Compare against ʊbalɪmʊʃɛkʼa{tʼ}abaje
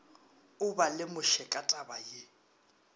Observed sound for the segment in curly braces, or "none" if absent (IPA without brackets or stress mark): tʼ